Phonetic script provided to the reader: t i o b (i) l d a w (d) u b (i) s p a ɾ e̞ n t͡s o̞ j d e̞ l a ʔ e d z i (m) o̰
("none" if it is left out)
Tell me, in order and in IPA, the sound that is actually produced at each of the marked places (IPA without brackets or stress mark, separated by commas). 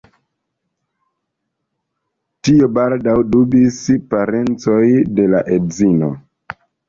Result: a, d, i, n